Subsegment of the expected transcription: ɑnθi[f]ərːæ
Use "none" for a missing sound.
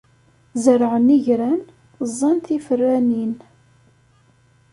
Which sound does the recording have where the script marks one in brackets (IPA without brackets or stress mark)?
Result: f